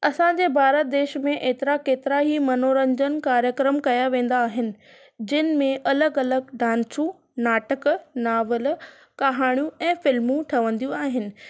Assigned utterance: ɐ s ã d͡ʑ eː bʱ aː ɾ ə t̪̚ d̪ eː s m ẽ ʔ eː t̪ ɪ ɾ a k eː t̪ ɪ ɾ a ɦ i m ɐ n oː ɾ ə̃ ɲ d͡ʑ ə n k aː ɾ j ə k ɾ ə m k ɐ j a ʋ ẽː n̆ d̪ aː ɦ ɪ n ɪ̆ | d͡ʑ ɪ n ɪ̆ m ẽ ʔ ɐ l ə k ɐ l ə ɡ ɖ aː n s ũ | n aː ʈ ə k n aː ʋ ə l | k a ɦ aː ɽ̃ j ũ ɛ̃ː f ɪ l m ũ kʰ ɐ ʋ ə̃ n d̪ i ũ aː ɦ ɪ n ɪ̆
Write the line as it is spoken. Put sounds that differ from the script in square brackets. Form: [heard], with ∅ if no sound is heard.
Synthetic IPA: ɐ s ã d͡ʑ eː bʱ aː ɾ ə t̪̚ d̪ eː [ʃ] m ẽ ʔ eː t̪ ɪ ɾ a k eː t̪ ɪ ɾ a ɦ i m ɐ n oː ɾ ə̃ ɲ d͡ʑ ə n k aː ɾ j ə k ɾ ə m k ɐ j a ʋ ẽː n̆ d̪ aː ɦ ɪ n ɪ̆ | d͡ʑ ɪ n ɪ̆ m ẽ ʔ ɐ l ə [ɡ] ɐ l ə ɡ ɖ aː n s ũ | n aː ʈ ə k n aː ʋ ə l | k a ɦ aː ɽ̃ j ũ ɛ̃ː f ɪ l m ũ [ʈʰ] ɐ ʋ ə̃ n d̪ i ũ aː ɦ ɪ n ɪ̆